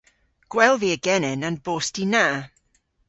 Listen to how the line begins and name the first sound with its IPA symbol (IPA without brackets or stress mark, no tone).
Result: ɡ̥